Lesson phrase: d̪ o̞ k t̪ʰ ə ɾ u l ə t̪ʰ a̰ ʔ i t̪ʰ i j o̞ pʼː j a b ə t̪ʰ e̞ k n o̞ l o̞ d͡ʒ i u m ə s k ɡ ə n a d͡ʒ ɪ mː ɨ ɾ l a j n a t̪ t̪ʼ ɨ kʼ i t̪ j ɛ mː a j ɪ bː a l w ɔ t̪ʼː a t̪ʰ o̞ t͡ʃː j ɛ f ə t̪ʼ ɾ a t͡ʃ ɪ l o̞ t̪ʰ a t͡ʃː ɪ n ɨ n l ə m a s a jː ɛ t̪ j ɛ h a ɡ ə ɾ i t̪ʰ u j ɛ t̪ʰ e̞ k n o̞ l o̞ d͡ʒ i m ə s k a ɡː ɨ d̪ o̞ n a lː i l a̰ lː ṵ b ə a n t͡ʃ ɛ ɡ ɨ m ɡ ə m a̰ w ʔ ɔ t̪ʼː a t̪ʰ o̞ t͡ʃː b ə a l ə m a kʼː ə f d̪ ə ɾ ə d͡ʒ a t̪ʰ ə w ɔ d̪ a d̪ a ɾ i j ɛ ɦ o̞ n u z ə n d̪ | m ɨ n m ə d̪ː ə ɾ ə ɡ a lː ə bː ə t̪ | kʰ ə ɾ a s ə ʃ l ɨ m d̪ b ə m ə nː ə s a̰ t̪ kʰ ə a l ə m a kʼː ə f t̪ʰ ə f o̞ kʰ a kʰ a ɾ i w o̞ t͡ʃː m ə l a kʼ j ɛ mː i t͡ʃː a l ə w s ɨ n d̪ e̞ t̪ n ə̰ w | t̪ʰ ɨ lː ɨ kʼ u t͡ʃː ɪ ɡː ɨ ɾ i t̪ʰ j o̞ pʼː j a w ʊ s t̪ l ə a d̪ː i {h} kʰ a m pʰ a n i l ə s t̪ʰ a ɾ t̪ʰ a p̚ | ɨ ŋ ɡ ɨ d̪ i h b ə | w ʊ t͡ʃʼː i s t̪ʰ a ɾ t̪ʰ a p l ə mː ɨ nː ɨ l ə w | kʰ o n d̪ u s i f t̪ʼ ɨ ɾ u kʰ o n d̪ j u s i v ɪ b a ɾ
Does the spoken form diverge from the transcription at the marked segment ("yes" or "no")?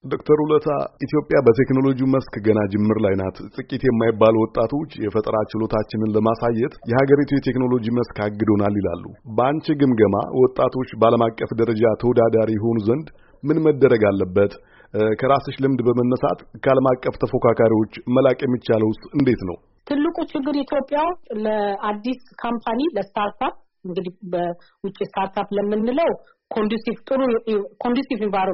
yes